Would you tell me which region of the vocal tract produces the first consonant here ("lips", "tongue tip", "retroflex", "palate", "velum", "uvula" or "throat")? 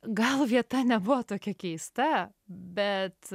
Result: velum